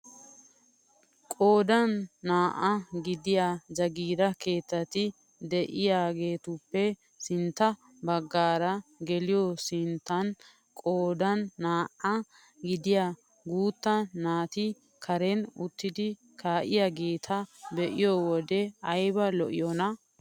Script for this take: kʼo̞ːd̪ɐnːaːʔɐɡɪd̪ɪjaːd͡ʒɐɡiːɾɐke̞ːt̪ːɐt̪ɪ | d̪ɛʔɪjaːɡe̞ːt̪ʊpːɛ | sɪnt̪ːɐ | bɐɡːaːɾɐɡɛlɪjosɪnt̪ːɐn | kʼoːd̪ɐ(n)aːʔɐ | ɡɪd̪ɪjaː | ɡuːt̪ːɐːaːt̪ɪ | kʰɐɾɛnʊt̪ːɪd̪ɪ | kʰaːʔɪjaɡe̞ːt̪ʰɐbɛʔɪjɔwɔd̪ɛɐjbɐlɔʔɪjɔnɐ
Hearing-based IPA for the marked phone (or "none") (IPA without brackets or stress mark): nː